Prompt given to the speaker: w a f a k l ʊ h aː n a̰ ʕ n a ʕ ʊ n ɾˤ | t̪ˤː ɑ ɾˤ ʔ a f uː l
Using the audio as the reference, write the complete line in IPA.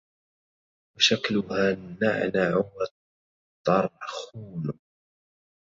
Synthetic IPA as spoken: w a ʃ a k l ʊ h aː n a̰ ʕ n a ʕ ʊ m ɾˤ | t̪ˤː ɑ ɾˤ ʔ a x uː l